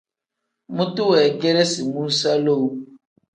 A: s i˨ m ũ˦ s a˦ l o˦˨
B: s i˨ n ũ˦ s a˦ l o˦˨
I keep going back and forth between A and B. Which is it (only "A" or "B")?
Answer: A